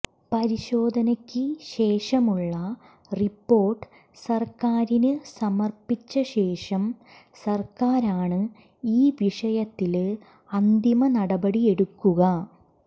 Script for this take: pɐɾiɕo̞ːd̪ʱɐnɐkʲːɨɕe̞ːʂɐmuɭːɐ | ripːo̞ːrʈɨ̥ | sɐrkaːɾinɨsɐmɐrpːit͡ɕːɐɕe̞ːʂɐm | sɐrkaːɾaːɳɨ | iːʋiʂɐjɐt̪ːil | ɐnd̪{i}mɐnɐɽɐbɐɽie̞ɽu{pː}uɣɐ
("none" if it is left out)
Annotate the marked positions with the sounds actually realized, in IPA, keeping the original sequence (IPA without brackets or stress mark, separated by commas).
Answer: i, kː